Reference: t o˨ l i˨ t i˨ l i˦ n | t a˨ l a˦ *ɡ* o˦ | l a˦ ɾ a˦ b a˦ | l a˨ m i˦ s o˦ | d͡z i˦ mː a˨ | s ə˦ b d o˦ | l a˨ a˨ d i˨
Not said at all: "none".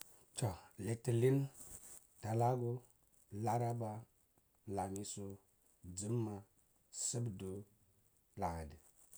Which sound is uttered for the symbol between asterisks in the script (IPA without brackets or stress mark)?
ɡ